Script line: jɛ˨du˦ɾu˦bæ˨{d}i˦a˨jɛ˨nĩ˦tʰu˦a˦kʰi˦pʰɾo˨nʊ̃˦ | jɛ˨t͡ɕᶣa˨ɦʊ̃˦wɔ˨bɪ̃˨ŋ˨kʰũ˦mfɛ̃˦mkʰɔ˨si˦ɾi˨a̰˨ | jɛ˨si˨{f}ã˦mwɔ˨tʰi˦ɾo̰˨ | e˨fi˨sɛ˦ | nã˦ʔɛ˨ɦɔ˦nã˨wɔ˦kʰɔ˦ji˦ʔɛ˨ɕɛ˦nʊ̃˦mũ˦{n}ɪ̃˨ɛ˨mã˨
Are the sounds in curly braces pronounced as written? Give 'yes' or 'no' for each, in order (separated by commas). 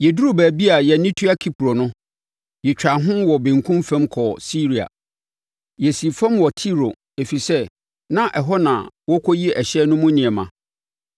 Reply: no, yes, yes